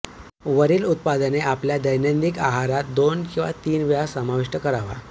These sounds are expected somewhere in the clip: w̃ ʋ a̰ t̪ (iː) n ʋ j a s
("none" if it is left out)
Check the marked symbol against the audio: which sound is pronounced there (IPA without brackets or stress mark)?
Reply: iː